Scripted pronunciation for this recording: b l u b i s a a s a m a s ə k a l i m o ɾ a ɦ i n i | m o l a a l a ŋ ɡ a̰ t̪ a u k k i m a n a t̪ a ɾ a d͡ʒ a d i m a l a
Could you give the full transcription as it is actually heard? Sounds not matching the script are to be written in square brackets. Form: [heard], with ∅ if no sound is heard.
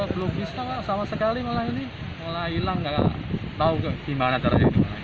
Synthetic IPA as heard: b l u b i s a a s a m a s ə k a l i m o [l] a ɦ i n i | m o l a [i] l a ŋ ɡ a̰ t̪ a u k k i m a n a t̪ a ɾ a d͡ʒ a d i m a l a